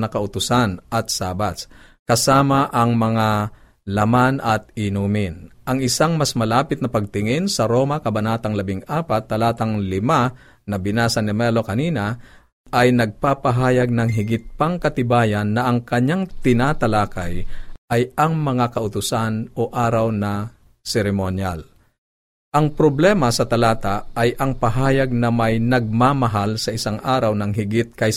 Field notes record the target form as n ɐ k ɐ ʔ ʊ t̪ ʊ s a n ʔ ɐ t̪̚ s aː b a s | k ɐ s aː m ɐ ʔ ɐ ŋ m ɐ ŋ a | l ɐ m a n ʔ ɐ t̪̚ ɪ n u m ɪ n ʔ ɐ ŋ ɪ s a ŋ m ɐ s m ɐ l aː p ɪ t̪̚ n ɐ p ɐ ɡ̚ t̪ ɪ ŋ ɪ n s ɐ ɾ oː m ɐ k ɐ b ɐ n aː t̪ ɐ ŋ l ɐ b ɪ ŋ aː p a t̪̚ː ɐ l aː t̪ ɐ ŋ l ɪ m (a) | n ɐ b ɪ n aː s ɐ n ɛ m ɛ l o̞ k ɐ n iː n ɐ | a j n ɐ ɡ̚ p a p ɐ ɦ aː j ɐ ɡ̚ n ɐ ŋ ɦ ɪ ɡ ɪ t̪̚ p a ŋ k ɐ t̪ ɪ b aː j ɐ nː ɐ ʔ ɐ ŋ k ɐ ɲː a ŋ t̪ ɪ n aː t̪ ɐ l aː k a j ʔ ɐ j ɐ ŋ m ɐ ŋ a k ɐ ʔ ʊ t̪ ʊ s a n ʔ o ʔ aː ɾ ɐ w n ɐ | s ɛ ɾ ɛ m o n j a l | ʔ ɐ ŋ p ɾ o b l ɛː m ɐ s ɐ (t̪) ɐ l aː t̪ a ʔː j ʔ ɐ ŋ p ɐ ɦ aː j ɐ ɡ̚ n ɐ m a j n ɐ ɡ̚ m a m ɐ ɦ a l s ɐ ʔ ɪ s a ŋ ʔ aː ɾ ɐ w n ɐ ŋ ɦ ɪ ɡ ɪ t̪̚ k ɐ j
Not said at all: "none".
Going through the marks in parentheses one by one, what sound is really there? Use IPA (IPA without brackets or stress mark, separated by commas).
a, t̪